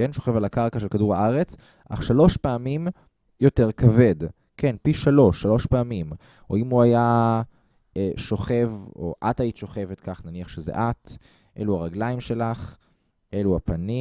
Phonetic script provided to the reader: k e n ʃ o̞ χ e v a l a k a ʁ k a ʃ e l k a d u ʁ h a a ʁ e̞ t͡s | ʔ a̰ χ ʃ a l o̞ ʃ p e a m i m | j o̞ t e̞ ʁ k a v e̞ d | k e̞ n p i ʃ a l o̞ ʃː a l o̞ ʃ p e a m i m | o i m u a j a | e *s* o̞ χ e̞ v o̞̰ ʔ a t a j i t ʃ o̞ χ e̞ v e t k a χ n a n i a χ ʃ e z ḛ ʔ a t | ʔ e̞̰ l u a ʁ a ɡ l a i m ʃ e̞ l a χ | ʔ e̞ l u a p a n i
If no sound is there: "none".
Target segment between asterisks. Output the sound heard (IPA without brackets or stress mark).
ʃ